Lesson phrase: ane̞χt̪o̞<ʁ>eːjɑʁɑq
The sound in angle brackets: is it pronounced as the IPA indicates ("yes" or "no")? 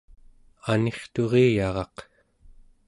yes